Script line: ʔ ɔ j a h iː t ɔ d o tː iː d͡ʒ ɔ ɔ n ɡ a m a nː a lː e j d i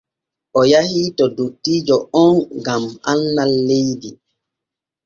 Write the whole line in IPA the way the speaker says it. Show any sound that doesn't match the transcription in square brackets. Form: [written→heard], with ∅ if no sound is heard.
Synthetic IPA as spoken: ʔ ɔ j a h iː t ɔ d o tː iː d͡ʒ ɔ ɔ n ɡ a m a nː a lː e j d i